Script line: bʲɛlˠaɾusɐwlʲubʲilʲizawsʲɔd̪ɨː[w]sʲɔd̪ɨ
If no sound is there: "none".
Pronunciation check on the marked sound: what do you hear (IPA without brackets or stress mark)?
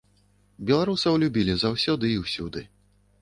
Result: w